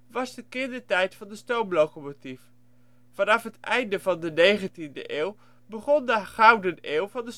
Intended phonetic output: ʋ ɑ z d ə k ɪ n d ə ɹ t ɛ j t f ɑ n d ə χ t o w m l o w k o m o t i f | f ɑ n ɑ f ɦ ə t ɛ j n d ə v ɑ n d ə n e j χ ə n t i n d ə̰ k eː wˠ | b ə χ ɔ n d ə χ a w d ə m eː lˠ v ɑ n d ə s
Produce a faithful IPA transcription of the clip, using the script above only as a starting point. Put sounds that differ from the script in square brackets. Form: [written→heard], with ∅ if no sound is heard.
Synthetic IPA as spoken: ʋ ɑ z d ə k ɪ n d ə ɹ t ɛ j t f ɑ n d ə [χ→s] t o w m l o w k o m o t i f | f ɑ n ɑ f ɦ ə t ɛ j n d ə v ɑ n d ə n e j χ ə n t i n d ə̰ [k→ʔ] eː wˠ | b ə χ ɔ n d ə χ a w d ə [m→n] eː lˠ v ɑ n d ə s

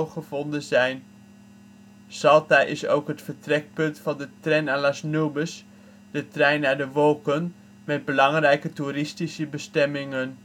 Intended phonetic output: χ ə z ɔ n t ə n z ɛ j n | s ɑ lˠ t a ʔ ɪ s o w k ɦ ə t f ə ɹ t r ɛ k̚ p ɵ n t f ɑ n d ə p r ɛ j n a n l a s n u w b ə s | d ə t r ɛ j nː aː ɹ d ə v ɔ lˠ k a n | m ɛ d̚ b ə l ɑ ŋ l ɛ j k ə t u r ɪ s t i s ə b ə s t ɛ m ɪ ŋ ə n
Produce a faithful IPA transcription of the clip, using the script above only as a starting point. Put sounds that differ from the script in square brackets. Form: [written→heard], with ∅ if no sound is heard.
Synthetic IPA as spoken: χ ə [z→v] ɔ n [t→d] ə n z ɛ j n | s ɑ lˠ t a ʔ ɪ s o w k ɦ ə t f ə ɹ t r ɛ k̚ p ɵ n t f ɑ n d ə [p→t] r ɛ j n a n l a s n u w b ə s | d ə t r ɛ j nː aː ɹ d ə [v→ʋ] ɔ lˠ k [a→ə] n | m ɛ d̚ b ə l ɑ ŋ [l→r] ɛ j k ə t u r ɪ s t i s ə b ə s t ɛ m ɪ ŋ ə n

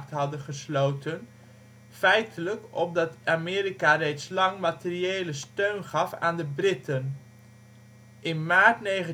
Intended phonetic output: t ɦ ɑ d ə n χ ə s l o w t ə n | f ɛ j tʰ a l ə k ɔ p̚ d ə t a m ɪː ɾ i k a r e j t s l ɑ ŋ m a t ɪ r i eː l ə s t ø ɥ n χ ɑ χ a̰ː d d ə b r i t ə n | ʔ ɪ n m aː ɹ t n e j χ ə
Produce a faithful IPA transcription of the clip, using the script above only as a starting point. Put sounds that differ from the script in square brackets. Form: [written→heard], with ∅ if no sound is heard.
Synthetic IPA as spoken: t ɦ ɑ d ə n χ ə s l o w t ə n | f ɛ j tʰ [a→ə] l ə k ɔ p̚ d [ə→ɑ] t a m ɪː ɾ i k a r e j t s l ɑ ŋ m a t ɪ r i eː l ə s t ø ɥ n χ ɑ [χ→f] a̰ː [d→n] d ə b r [i→ɪ] t ə n | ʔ ɪ n m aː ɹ t n e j χ ə

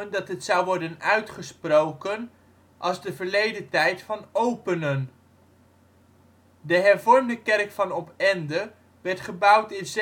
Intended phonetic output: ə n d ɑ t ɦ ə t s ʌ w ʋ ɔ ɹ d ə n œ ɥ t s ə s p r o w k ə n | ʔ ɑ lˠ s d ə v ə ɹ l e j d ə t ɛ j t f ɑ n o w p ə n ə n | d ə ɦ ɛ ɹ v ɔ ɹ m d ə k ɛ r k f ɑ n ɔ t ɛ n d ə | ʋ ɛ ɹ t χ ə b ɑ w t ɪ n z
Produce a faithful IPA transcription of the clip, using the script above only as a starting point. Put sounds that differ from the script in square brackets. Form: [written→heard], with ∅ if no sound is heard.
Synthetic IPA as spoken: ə n d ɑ t ɦ ə t s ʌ w ʋ ɔ ɹ d ə n œ ɥ t [s→χ] ə s p r o w k ə n | ʔ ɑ lˠ [s→z] d ə v ə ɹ l e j d ə t ɛ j t f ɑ n o w p ə n ə n | d ə ɦ ɛ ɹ v ɔ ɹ m d ə k ɛ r k f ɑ n ɔ [t→p] ɛ n d ə | ʋ ɛ ɹ t χ ə b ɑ w t ɪ n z

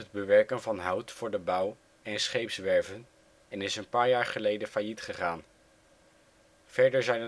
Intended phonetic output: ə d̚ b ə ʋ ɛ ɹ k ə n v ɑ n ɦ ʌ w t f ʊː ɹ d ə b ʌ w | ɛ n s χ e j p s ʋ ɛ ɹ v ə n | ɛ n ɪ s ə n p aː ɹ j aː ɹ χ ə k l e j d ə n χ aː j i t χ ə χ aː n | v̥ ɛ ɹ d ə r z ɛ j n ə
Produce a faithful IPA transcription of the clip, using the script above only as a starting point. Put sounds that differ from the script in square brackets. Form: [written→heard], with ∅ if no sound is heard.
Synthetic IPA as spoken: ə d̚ b ə ʋ ɛ ɹ k ə n v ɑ n ɦ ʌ w t f ʊː ɹ d ə b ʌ w | ɛ n s χ e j p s ʋ ɛ ɹ v ə n | ɛ n ɪ s ə n p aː ɹ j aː ɹ χ ə [k→∅] l e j d ə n [χ→f] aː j i t χ ə χ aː n | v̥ ɛ ɹ d ə [r→ɹ] z ɛ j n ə

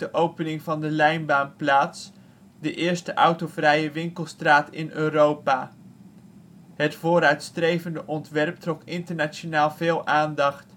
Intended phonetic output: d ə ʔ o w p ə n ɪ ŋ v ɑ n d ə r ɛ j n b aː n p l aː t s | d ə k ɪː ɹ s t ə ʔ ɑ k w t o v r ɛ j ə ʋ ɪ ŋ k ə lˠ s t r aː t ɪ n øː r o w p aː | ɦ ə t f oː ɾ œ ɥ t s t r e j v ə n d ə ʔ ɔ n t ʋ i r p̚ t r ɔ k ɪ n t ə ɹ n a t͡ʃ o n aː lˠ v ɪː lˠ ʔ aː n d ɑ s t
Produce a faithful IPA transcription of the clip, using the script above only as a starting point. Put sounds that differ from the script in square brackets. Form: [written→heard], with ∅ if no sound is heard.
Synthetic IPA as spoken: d ə ʔ o w p ə n ɪ ŋ v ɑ n d ə [r→l] ɛ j n b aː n p l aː t s | d ə [k→ʔ] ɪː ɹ s t ə ʔ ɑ [k→∅] w t o v r ɛ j ə ʋ ɪ ŋ k ə lˠ s t r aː t ɪ n øː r o w p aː | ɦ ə t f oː ɾ œ ɥ t s t r e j v ə n d ə ʔ ɔ n t ʋ [i→ɛ] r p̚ t r ɔ k ɪ n t ə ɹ n a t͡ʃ o n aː lˠ v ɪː lˠ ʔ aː n d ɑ [s→χ] t

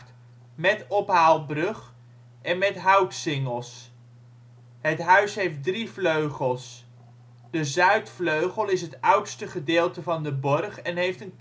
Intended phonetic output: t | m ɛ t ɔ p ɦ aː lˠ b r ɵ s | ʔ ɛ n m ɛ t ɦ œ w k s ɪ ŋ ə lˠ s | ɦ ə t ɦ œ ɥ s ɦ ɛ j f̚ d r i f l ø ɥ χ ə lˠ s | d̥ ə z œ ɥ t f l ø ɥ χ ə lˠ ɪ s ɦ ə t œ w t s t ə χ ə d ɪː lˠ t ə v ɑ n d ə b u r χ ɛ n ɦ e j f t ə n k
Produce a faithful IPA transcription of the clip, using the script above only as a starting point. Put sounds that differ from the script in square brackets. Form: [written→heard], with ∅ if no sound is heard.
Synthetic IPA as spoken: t | m ɛ t ɔ p ɦ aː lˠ b r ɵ [s→χ] | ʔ ɛ n m ɛ t ɦ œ w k s ɪ ŋ ə lˠ s | ɦ ə t ɦ œ ɥ s ɦ [ɛ→e] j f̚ d r i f l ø ɥ χ ə lˠ s | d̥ ə z œ ɥ t f l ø ɥ χ ə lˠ ɪ s ɦ ə t œ w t s t ə χ ə d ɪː lˠ t ə v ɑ n d ə b [u→ɔ] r χ ɛ n ɦ e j f t ə n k

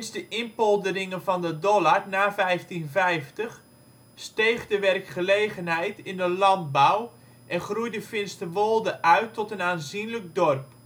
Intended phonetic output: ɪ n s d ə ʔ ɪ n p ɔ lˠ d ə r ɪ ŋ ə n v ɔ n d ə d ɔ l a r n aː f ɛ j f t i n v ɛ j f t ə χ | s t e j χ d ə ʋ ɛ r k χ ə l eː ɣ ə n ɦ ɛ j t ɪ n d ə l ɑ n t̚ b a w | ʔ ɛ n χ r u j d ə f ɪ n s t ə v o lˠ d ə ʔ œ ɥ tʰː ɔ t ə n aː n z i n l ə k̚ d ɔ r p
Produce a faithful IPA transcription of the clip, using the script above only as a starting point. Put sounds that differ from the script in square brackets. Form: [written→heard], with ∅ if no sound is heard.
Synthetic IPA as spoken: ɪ n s d ə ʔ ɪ n p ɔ lˠ d ə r ɪ ŋ ə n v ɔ n d ə d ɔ l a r n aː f ɛ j f t i n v ɛ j f t ə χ | s t e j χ d ə ʋ ɛ r k χ ə l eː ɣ ə n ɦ ɛ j t ɪ n d ə l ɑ n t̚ b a w | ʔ ɛ n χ r u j d ə f ɪ n s t ə [v→ʋ] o lˠ d ə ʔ œ ɥ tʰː ɔ t ə n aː n z i n l ə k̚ d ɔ r p

